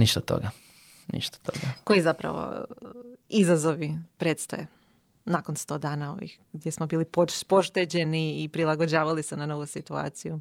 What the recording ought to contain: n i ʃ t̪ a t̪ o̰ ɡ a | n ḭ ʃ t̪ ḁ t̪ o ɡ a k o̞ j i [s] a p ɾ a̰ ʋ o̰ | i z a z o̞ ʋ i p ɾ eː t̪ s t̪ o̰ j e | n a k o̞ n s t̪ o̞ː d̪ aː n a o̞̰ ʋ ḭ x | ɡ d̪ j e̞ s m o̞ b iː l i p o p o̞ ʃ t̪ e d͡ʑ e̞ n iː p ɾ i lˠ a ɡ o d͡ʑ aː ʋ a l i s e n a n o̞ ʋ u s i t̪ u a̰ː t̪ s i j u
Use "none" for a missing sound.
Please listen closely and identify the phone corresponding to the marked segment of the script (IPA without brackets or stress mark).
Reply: z